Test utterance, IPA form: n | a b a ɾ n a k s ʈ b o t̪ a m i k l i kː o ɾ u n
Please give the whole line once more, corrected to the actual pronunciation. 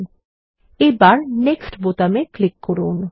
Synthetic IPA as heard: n | e b a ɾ n e k s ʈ b o t̪ a m e k l i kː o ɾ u n